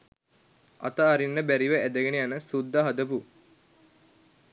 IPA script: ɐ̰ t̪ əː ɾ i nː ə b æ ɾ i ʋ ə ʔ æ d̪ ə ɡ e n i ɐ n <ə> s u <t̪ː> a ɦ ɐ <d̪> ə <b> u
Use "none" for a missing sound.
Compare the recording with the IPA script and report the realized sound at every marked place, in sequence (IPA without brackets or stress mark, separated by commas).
ə, d̪ː, d̪, p